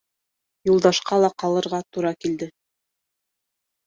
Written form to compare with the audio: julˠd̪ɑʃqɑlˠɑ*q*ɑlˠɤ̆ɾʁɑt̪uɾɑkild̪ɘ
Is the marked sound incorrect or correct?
correct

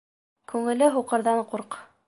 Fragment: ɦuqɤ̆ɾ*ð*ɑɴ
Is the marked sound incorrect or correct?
correct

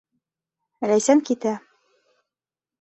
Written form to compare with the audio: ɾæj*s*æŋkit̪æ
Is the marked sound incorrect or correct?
correct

